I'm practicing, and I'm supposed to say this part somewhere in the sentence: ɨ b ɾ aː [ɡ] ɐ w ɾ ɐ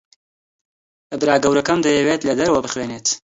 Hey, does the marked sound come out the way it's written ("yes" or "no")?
yes